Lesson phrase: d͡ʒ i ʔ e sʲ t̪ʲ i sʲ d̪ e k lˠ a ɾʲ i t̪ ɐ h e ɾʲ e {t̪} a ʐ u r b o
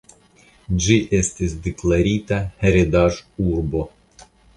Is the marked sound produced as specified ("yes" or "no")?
no